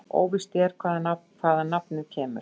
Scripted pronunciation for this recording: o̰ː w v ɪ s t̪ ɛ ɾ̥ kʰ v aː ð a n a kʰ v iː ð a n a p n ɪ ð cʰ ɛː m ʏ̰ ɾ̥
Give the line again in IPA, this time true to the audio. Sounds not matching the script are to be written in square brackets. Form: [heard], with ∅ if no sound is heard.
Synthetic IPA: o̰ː w v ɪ s t̪ ɛ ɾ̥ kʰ v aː ð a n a kʰ v [aː] ð a n a p n ɪ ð cʰ ɛː m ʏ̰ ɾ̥